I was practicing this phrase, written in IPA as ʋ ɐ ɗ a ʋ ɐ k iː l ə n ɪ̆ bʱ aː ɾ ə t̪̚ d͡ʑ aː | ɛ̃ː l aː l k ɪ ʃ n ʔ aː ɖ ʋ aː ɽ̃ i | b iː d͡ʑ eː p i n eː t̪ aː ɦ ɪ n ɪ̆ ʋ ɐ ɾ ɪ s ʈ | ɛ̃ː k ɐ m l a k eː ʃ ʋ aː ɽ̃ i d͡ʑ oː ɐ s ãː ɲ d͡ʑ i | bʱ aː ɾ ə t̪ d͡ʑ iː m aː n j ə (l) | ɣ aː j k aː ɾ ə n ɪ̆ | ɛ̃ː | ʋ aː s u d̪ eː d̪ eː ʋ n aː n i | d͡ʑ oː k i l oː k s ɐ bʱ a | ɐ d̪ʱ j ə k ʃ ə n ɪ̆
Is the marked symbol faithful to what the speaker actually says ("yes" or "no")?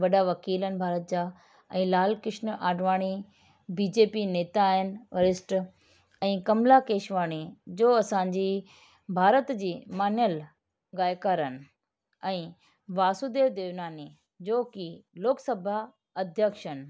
yes